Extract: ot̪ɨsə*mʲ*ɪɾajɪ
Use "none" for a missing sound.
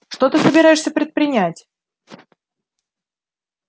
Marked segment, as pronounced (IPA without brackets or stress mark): bʲ